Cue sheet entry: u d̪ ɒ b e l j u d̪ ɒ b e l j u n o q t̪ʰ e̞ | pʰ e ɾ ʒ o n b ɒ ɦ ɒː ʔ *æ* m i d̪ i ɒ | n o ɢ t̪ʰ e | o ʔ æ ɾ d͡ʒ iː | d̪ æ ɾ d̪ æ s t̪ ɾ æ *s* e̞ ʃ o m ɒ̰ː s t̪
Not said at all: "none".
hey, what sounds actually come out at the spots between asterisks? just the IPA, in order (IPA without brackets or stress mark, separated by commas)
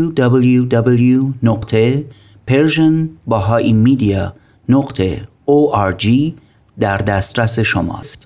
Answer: i, s